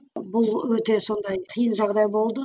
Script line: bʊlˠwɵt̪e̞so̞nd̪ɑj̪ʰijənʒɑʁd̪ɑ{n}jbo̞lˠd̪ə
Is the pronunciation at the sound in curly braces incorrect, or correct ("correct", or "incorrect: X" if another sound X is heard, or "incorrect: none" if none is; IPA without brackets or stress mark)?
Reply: incorrect: none